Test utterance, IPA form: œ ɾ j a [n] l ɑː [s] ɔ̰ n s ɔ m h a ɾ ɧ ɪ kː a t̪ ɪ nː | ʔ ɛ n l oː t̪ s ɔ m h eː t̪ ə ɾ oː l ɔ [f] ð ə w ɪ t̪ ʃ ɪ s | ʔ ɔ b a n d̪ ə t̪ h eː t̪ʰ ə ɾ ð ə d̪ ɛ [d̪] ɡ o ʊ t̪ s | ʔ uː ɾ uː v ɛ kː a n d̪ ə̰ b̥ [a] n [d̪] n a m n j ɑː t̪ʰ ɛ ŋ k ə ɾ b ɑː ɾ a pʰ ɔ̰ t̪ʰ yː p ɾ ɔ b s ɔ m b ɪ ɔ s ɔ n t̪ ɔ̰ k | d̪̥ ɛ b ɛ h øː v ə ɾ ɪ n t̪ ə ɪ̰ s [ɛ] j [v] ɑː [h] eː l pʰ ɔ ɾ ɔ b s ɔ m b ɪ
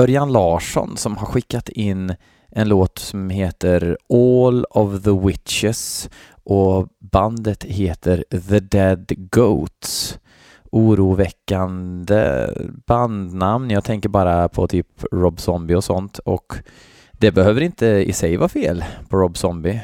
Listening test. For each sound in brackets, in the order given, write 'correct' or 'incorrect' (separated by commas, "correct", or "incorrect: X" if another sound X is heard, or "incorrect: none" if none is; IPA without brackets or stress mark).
correct, incorrect: ʂ, incorrect: v, correct, correct, correct, correct, correct, incorrect: f